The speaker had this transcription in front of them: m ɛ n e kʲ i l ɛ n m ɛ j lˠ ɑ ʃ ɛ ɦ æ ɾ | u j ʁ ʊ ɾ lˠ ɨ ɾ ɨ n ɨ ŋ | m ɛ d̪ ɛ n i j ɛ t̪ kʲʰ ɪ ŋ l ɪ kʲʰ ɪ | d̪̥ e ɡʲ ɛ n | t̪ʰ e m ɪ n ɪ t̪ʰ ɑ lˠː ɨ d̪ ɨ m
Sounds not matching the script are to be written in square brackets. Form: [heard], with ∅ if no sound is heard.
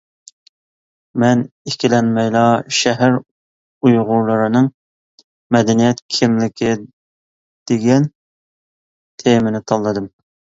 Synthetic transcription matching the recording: m ɛ n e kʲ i l ɛ n m ɛ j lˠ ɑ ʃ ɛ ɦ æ ɾ | u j ʁ ʊ ɾ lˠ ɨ ɾ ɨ n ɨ ŋ | m ɛ d̪ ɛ n i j ɛ t̪ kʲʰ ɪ [m] l ɪ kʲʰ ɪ | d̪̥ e ɡʲ ɛ n | t̪ʰ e m ɪ n ɪ t̪ʰ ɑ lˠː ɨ d̪ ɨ m